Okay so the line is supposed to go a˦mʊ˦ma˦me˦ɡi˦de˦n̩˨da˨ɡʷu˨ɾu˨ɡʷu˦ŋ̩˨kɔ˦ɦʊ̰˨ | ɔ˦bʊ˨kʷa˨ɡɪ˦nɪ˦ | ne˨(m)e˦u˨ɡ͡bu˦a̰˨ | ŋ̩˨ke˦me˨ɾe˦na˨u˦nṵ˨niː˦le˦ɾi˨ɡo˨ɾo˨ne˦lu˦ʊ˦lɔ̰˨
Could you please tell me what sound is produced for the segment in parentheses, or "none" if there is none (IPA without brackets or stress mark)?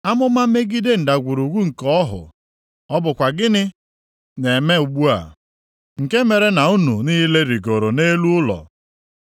m